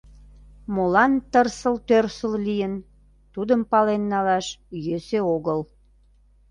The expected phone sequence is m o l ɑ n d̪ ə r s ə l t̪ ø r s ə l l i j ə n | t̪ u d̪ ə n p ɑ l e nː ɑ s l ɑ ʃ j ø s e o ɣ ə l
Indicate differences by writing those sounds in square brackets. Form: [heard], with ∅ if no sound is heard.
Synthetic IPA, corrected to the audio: m o l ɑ n [t̪] ə r s ə l t̪ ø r s ə l l i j ə n | t̪ u d̪ ə [m] p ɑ l e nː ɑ [∅] l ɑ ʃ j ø s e o ɣ ə l